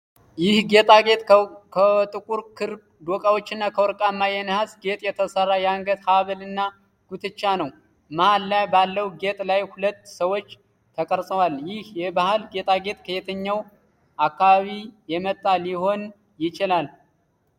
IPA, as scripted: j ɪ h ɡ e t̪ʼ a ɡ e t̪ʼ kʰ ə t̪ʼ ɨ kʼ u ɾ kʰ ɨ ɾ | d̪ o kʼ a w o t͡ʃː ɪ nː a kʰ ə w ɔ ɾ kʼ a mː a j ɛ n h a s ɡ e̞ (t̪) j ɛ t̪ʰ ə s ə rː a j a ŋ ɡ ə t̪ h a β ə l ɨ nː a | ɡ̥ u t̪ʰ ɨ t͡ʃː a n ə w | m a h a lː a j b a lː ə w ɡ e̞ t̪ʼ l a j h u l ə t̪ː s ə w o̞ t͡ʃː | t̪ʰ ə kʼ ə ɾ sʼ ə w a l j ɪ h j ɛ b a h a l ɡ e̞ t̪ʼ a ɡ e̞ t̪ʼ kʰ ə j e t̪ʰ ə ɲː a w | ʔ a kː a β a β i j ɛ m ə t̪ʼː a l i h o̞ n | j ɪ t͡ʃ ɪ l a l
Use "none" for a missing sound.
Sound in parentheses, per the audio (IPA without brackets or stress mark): t̪ʼ